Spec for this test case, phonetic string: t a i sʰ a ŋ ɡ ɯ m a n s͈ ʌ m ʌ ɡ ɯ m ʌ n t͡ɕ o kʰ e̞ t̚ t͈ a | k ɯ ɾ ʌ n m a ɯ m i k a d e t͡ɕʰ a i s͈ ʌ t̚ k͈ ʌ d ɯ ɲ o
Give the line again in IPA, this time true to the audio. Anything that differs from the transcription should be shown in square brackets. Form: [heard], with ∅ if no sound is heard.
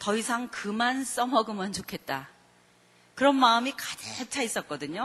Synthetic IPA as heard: t [ʌ] i sʰ a ŋ [k] ɯ m a n s͈ ʌ m ʌ ɡ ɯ m ʌ n t͡ɕ o kʰ e̞ t̚ t͈ a | k ɯ ɾ ʌ n m a ɯ m i k a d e t͡ɕʰ a i s͈ ʌ t̚ k͈ ʌ d ɯ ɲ o